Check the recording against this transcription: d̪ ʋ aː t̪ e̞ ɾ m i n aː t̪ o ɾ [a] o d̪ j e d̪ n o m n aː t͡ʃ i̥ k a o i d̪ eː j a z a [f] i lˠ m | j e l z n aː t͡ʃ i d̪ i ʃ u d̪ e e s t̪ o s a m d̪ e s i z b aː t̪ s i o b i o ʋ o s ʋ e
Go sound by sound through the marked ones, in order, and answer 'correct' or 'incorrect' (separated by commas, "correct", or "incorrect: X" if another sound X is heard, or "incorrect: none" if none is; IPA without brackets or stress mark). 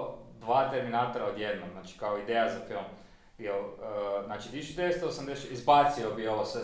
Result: correct, correct